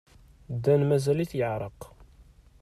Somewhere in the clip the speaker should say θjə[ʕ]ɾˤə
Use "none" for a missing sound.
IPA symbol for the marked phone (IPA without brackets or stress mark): ʕ